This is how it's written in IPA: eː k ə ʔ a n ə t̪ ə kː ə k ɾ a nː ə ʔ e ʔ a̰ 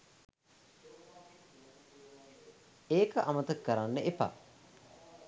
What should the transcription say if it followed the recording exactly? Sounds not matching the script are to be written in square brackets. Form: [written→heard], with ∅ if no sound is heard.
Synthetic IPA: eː k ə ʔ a [n→m] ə t̪ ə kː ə [k→∅] ɾ a nː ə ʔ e [ʔ→p] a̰